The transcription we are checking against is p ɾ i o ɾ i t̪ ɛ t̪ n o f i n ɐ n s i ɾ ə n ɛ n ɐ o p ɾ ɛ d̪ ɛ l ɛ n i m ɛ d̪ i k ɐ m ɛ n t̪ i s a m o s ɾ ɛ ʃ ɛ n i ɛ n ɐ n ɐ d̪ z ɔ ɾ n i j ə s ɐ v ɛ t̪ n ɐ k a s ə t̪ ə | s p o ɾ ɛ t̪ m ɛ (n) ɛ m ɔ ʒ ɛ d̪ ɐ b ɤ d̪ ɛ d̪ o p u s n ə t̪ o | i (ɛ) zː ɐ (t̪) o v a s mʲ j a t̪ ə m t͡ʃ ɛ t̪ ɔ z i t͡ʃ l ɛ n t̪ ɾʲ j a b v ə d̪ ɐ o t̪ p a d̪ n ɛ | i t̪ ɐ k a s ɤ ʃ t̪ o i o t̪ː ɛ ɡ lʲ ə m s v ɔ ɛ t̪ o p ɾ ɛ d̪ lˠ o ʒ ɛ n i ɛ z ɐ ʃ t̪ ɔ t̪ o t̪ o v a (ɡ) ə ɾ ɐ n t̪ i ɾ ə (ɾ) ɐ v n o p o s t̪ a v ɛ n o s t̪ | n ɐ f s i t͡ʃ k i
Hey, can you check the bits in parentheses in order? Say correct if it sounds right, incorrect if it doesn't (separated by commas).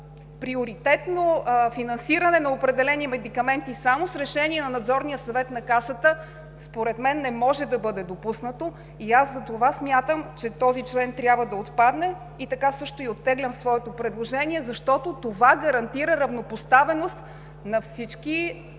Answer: incorrect, incorrect, correct, correct, correct